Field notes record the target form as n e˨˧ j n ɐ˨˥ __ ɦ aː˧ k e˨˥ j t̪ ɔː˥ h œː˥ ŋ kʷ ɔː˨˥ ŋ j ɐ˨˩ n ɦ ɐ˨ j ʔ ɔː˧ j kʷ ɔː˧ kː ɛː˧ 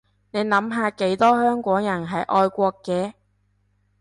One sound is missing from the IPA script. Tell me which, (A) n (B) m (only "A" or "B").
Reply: B